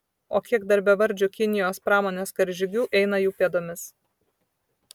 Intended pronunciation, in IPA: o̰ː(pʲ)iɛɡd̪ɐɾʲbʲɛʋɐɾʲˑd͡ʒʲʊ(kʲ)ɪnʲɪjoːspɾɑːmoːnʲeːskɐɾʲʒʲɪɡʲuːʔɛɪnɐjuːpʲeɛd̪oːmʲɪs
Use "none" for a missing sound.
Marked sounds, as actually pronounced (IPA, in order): kʲ, kʲ

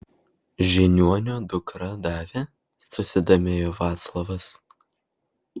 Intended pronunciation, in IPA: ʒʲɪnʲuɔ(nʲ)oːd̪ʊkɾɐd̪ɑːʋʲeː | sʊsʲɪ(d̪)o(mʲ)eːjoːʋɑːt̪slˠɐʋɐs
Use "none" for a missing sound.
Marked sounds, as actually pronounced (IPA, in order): nʲ, d̪, mʲ

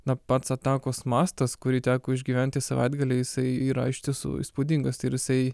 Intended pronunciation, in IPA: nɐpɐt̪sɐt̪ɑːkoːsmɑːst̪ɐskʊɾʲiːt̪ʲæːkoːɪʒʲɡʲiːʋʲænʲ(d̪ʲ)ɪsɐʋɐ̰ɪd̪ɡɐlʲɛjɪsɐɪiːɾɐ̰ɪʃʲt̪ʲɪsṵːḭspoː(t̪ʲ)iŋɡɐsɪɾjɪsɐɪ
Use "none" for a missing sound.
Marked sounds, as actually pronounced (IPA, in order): t̪ʲ, d̪ʲ

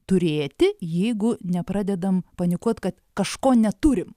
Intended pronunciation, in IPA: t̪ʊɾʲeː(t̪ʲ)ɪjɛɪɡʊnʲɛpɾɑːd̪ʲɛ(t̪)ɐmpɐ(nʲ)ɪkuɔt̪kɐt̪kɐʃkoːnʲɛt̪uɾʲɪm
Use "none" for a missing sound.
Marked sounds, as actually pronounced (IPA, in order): t̪ʲ, d̪, nʲ

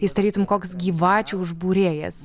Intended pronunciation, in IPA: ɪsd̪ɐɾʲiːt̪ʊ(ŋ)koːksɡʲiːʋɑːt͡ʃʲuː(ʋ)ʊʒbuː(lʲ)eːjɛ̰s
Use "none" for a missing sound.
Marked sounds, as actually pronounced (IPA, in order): m, none, ɾʲ

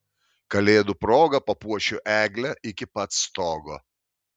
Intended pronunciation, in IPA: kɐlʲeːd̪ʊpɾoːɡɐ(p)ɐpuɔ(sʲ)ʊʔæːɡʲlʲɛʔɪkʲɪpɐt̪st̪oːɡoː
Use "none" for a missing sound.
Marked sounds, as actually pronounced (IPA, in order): p, ʃʲ

